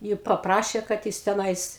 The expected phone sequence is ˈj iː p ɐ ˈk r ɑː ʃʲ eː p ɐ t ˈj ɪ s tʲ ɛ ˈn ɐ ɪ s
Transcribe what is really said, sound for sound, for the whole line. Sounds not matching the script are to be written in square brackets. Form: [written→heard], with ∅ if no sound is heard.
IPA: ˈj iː p ɐ [ˈk→ˈp] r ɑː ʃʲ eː [p→k] ɐ t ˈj ɪ s tʲ ɛ ˈn ɐ ɪ s